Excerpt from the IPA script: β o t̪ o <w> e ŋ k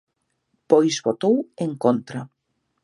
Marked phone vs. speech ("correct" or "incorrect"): correct